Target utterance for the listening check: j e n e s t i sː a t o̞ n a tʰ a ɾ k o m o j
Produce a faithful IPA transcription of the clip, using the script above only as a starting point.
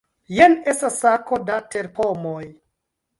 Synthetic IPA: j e n e s t a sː a k o̞ d a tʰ e ɾ p o m o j